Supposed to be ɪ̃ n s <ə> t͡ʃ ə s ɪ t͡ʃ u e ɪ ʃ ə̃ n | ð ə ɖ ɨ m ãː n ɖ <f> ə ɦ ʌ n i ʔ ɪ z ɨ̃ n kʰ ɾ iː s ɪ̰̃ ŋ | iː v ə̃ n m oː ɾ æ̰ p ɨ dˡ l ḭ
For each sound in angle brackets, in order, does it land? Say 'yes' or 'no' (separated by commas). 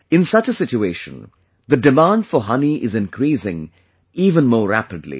no, yes